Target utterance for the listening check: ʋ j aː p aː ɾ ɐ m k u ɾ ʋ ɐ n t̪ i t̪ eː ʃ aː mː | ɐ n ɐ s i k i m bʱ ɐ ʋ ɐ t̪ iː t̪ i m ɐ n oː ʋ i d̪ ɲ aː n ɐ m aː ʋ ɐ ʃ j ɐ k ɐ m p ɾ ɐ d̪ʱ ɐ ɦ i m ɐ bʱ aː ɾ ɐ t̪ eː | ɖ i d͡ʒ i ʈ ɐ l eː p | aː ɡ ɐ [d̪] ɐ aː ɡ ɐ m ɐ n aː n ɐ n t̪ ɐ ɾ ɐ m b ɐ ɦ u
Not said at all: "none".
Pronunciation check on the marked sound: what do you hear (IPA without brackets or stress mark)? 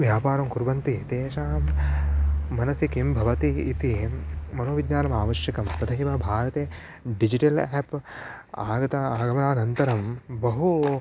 t̪